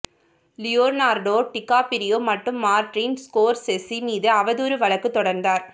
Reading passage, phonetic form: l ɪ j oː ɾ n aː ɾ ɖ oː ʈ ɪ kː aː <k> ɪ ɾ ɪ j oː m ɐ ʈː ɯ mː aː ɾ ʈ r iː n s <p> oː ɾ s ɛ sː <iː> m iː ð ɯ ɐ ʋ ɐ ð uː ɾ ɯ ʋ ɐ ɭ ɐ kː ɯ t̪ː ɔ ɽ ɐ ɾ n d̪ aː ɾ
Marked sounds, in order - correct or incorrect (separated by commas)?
incorrect, incorrect, incorrect